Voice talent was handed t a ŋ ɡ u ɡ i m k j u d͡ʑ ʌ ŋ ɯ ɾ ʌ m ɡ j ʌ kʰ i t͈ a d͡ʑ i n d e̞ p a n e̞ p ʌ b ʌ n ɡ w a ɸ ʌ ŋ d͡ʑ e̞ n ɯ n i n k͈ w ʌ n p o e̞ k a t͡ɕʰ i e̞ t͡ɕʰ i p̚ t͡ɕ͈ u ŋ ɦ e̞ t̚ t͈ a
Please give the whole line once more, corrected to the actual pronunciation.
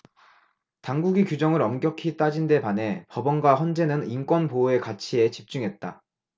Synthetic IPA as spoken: t a ŋ ɡ u ɡ i k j u d͡ʑ ʌ ŋ ɯ ɾ ʌ m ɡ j ʌ kʰ i t͈ a d͡ʑ i n d e̞ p a n e̞ p ʌ b ʌ n ɡ w a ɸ ʌ n d͡ʑ e̞ n ɯ n i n k͈ w ʌ n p o e̞ k a t͡ɕʰ i e̞ t͡ɕ i p̚ t͡ɕ͈ u ŋ ɦ e̞ t̚ t͈ a